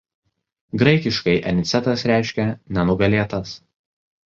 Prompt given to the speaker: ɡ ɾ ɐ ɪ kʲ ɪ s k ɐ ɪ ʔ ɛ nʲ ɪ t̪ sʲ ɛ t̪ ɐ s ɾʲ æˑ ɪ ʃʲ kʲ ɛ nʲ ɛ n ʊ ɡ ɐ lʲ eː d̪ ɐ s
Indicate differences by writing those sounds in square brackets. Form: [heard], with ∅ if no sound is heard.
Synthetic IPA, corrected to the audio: ɡ ɾ ɐ ɪ kʲ ɪ [ʃ] k ɐ ɪ ʔ ɛ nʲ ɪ t̪ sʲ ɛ t̪ ɐ s ɾʲ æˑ ɪ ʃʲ kʲ ɛ nʲ ɛ n ʊ ɡ ɐ lʲ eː [t̪] ɐ s